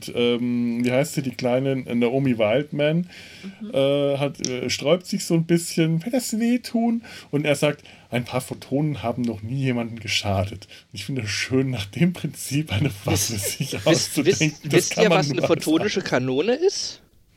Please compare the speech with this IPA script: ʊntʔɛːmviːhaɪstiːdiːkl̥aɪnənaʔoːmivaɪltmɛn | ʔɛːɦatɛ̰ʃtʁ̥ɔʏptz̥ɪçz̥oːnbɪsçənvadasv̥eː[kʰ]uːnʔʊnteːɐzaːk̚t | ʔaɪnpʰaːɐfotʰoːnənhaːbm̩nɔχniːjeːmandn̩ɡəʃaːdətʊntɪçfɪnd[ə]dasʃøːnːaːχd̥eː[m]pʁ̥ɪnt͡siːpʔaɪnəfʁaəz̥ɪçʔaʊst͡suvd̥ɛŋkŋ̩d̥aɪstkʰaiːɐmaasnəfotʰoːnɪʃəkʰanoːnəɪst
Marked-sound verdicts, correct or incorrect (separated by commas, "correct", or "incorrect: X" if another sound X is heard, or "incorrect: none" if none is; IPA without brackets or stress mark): incorrect: tʰ, correct, correct